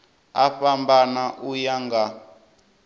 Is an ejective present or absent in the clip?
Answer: absent